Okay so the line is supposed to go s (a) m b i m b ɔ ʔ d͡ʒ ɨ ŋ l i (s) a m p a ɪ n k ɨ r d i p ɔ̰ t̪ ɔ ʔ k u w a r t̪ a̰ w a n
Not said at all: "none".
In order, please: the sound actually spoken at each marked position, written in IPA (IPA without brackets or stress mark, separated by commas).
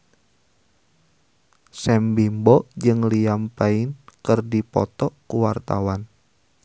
ɛ, none